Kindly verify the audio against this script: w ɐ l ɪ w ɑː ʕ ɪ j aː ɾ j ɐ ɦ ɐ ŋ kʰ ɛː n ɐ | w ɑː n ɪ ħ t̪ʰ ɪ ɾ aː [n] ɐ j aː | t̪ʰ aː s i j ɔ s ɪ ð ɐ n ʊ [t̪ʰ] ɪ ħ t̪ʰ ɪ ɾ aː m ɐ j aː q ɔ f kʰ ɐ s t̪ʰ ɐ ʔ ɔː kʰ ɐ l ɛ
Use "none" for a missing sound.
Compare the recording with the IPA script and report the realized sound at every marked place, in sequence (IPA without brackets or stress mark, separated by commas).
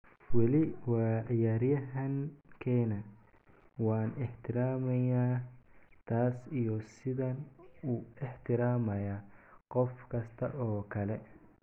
m, none